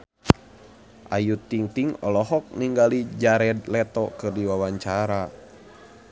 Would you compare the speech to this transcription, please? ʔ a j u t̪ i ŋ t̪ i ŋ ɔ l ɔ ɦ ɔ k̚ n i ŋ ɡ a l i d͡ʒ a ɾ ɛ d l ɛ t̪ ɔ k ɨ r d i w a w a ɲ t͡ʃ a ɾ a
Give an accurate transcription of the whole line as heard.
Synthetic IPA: ʔ a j u t̪ i ŋ t̪ i ŋ ɔ l ɔ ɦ ɔ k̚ n i ŋ ɡ a l i d͡ʒ a ɾ ɛ d l ɛ t̪ ɔ k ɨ r d i w a w a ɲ t͡ʃ a ɾ a